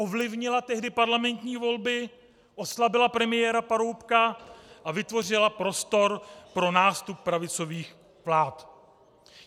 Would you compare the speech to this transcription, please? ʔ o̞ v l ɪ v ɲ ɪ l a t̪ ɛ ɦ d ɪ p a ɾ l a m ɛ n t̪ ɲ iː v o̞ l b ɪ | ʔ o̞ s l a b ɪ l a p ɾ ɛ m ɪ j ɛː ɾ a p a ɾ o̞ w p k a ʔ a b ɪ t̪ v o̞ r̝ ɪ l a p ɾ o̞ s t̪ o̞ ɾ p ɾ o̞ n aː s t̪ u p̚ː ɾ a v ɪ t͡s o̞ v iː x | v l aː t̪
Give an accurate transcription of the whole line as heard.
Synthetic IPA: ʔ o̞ v l ɪ v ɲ ɪ l a t̪ ɛ ɦ d ɪ p a ɾ l a m ɛ n t̪ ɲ iː v o̞ l b ɪ | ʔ o̞ s l a b ɪ l a p ɾ ɛ m ɪ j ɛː ɾ a p a ɾ o̞ w p k a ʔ a v ɪ t̪ v o̞ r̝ ɪ l a p ɾ o̞ s t̪ o̞ ɾ p ɾ o̞ n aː s t̪ u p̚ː ɾ a v ɪ t͡s o̞ v iː x | v l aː t̪